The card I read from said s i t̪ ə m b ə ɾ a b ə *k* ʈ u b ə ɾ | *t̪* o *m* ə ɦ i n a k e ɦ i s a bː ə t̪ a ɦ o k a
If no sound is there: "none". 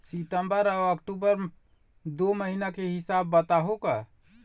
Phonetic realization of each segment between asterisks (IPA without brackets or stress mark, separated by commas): k, d̪, m